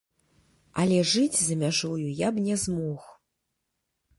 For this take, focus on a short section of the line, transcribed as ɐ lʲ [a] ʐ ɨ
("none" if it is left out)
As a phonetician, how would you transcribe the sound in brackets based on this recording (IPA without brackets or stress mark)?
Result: ɛ